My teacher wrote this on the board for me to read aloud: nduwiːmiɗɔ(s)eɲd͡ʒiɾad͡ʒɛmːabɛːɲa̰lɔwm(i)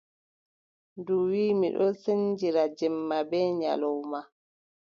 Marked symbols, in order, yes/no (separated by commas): yes, no